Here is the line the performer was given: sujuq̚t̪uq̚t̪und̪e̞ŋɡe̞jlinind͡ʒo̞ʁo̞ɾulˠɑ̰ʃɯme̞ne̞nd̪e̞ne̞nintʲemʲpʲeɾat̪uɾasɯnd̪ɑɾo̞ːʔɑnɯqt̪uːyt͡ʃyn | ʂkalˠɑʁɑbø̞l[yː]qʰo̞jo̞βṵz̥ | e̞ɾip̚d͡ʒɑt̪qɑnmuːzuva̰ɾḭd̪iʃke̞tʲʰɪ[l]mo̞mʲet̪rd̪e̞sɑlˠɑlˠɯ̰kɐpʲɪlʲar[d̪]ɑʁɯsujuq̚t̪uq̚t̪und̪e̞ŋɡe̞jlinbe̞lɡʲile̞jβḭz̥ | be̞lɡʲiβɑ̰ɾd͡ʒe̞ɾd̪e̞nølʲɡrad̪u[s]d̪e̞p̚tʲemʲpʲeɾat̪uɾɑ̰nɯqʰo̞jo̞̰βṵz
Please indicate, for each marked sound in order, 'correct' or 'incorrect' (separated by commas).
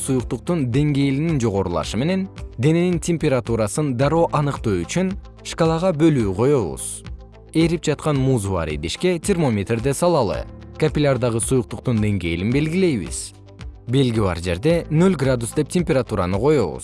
correct, incorrect, correct, correct